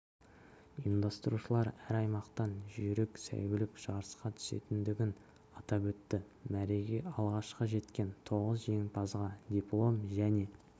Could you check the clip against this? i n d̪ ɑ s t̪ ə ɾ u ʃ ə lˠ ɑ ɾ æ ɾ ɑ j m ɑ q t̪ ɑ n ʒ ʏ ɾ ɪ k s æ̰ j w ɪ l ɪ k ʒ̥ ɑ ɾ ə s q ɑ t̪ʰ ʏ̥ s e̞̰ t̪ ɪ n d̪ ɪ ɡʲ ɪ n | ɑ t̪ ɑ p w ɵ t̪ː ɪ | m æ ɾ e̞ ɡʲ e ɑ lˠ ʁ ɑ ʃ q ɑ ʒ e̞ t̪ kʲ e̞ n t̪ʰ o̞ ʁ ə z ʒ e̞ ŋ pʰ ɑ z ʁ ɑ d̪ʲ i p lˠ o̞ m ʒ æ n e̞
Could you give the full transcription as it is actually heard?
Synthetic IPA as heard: i n d̪ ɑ s t̪ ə ɾ u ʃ ə lˠ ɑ ɾ æ ɾ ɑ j m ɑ q t̪ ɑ n ʒ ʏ ɾ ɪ k s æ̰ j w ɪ l ɪ k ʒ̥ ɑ ɾ ə s q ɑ t̪ʰ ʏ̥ s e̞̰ t̪ ɪ n d̪ ɪ ɡʲ ɪ n | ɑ t̪ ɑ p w ɵ t̪ː ɪ | m æ ɾ e̞ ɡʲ e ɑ lˠ ʁ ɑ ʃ q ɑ ʒ e̞ t̪ kʲ e̞ n t̪ʰ o̞ ʁ ə z ʒ e̞ ŋ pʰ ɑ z ʁ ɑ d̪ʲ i p lˠ o̞ m ʒ æ n e̞

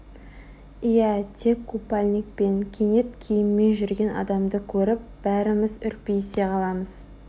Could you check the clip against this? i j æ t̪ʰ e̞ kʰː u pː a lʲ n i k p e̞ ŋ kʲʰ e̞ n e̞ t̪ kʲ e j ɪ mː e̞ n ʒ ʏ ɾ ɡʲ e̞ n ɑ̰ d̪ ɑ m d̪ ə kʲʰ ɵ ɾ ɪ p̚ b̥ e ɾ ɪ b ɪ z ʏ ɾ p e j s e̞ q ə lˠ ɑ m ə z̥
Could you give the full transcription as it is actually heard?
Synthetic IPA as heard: i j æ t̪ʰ e̞ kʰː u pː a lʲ n i k p e̞ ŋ kʲʰ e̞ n e̞ t̪ kʲʰ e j ɪ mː e̞ n ʒ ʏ ɾ ɡʲ e̞ n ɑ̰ d̪ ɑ m d̪ ə kʲʰ ɵ ɾ ɪ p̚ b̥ æ ɾ ɪ m ɪ z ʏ ɾ p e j s e̞ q ɑ lˠ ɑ m ə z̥

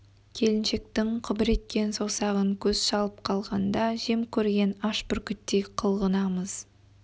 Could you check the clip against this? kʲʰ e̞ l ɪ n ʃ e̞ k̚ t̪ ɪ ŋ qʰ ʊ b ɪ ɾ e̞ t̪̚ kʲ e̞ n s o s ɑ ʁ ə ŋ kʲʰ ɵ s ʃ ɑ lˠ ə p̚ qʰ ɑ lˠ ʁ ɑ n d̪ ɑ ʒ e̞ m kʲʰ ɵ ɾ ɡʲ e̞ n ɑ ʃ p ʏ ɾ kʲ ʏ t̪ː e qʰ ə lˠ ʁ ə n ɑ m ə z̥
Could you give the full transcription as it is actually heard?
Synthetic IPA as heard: kʲʰ e̞ l ɪ n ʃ e̞ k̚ t̪ ɪ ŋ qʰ ʊ b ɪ ɾ e̞ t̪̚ kʲ e̞ n s o s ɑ ʁ ə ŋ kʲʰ ɵ z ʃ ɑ lˠ ə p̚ qʰ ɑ lˠ ʁ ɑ n d̪ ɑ ʒ e̞ m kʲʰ ɵ ɾ ɡʲ e̞ n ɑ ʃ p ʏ ɾ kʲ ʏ t̪ː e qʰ ə lˠ ʁ ə n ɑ m ə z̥

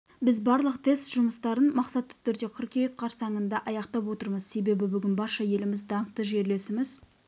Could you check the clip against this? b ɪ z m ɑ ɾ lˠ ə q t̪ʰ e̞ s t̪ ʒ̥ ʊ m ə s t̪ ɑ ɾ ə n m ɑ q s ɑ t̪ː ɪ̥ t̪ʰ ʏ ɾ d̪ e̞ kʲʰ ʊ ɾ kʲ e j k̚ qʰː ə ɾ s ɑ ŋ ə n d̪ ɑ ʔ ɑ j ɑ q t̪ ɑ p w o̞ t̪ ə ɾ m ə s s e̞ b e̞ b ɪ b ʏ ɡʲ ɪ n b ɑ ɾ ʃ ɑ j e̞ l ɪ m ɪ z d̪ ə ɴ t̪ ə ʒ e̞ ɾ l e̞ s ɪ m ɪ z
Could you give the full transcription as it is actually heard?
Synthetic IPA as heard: b ɪ z b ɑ ɾ lˠ ə q t̪ʰ e̞ s t̪ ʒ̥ ʊ m ə s t̪ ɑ ɾ ə n m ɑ q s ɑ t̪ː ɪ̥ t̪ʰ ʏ ɾ d̪ e̞ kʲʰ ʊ ɾ kʲ e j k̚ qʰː ɑ ɾ s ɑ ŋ ə n d̪ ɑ ʔ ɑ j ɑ q t̪ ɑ p w o̞ t̪ ə ɾ m ə z s e̞ b e̞ b ɪ b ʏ ɡʲ ɪ n b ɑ ɾ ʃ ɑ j e̞ l ɪ m ɪ z d̪ ɑ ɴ t̪ ə ʒ e̞ ɾ l e̞ s ɪ m ɪ z

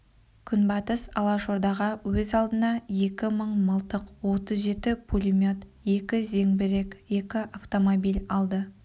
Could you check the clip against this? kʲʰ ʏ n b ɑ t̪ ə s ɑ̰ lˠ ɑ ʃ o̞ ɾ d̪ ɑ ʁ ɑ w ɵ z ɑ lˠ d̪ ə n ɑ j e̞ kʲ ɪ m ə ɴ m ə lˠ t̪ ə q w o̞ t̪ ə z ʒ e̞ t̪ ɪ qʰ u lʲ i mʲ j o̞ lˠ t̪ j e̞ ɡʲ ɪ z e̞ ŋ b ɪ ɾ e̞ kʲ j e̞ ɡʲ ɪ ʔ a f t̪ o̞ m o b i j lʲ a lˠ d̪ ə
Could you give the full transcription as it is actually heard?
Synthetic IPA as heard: kʲʰ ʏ n b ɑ t̪ ə s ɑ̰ lˠ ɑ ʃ o̞ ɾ d̪ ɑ ʁ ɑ w ɵ z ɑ lˠ d̪ ə n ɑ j e̞ kʲ ɪ m ə ɴ m ə lˠ t̪ ə q w o̞ t̪ ə z ʒ e̞ t̪ ɪ pʰ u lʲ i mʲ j o̞ t̪ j e̞ kʲ ɪ z e̞ ŋ b ɪ ɾ e̞ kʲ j e̞ kʲ ɪ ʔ a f t̪ o̞ m o b i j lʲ ɑ lˠ d̪ ə

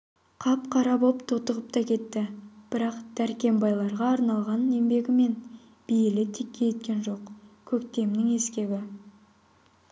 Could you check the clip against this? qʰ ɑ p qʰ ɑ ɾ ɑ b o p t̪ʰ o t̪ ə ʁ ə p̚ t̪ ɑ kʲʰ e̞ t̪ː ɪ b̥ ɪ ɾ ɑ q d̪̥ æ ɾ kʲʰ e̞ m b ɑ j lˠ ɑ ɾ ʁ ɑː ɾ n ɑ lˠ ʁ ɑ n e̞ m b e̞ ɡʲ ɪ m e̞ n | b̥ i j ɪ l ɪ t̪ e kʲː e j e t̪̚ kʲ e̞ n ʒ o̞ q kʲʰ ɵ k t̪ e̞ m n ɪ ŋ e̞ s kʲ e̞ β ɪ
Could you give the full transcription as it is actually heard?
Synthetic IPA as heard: qʰ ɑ p qʰ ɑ ɾ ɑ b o p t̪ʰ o t̪ ə ʁ ə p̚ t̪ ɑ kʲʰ e̞ t̪ː ɪ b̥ ɪ ɾ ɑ q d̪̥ æ ɾ kʲ e̞ m b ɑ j lˠ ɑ ɾ ʁ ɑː ɾ n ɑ lˠ ʁ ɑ n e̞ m b e̞ ɡʲ ɪ m e̞ n | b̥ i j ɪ l ɪ t̪ʰ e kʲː e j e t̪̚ kʲ e̞ n ʒ o̞ q kʲʰ ɵ k t̪ e̞ m n ɪ ŋ e̞ s kʲ e̞ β ɪ

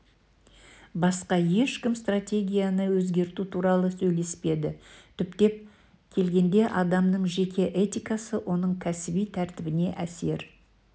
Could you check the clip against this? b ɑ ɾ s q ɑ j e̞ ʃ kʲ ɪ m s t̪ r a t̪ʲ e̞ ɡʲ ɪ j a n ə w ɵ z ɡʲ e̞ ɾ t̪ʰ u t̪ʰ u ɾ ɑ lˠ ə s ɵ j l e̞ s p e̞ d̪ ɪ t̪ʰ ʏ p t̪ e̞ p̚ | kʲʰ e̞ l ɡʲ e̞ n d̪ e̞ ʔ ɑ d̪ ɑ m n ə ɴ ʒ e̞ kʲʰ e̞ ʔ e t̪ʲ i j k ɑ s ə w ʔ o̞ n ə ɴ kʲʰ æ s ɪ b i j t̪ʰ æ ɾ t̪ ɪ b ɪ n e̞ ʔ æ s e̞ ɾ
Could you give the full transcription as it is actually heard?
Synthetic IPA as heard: b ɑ s q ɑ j e̞ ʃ kʲ ɪ m s t̪ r a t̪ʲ e̞ ɡʲ i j a n ə w ɵ z ɡʲ e̞ ɾ t̪ u t̪ʰ u ɾ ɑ lˠ ə s ɵ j l e̞ s p e̞ d̪ ɪ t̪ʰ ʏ p t̪ e̞ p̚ | kʲʰ e̞ l ɡʲ e̞ n d̪ e̞ ʔ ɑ d̪ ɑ m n ə ɴ ʒ e̞ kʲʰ e̞ ʔ e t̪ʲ i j k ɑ s ə w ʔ o̞ n ə ɴ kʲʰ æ s ɪ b i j t̪ʰ æ ɾ t̪ ɪ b ɪ n e̞ ʔ æ s e̞ ɾ

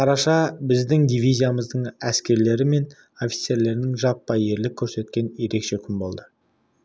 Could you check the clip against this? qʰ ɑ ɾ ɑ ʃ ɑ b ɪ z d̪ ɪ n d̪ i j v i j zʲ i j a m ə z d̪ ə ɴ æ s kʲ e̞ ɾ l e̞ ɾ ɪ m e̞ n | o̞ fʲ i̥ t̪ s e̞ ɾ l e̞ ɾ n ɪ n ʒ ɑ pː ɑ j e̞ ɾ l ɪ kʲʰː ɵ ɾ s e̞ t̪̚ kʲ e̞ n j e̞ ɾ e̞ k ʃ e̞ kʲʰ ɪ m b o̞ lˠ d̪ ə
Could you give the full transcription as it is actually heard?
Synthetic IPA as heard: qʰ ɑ ɾ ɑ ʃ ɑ b ɪ z d̪ ɪ ŋ d̪ i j v i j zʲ i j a m ə z d̪ ə ɴ æ s kʲ e̞ ɾ l e̞ ɾ ɪ m e̞ n | o̞ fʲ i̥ t̪ s e̞ ɾ l e̞ ɾ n ɪ ŋ ʒ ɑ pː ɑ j e̞ ɾ l ɪ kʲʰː ɵ ɾ s e̞ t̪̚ kʲ e̞ n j e̞ ɾ e̞ k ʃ e̞ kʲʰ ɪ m b o̞ lˠ d̪ ə

